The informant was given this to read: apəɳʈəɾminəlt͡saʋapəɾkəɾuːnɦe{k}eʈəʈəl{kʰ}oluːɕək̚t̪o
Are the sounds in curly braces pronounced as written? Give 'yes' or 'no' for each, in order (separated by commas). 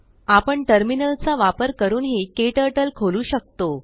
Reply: yes, yes